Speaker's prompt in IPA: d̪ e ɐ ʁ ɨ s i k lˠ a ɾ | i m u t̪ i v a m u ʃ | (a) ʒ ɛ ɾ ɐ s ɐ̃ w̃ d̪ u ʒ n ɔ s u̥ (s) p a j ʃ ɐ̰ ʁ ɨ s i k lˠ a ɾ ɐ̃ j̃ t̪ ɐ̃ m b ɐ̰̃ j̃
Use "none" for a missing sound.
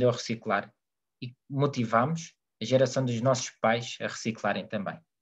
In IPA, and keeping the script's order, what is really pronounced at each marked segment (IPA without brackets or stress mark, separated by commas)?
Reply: ɐ, ʃ